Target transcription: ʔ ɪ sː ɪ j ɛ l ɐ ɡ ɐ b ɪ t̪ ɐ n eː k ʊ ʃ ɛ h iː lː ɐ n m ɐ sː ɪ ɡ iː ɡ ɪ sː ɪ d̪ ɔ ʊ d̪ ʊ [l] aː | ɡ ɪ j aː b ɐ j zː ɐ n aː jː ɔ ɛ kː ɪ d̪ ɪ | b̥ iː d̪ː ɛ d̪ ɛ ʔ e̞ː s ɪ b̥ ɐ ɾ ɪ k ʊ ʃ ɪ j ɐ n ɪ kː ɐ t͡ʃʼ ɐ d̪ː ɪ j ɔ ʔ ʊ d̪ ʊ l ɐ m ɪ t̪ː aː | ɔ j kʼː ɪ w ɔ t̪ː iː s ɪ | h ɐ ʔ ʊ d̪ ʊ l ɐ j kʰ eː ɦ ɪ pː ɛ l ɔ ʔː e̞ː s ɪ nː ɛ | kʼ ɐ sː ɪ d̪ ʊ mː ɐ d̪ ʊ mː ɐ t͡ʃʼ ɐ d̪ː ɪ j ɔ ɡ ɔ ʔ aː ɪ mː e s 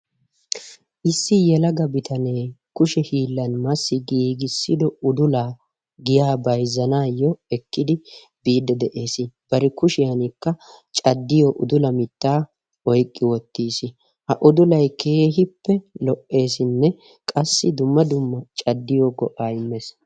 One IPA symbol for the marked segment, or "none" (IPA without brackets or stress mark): l